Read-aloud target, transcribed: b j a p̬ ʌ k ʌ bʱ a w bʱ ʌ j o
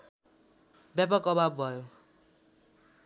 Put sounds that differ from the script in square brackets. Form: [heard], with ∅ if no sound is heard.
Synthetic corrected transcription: b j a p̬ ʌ k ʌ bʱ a [b] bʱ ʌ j o